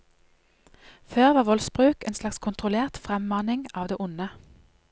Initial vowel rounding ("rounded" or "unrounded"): rounded